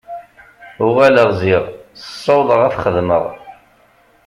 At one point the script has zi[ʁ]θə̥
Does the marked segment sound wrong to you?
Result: no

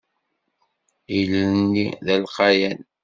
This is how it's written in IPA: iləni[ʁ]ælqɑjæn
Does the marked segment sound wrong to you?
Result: yes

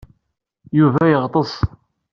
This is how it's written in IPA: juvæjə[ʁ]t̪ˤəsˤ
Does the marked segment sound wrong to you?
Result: no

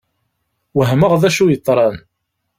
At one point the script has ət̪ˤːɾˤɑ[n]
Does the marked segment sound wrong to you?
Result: no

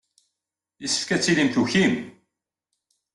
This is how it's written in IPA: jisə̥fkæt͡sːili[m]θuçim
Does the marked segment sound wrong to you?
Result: no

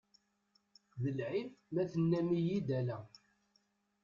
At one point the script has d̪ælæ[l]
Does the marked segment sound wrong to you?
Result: yes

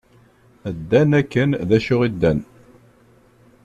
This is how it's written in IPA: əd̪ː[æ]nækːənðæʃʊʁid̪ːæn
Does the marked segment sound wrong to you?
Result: no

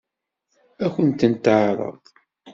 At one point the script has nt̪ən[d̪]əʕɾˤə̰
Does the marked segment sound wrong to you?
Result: yes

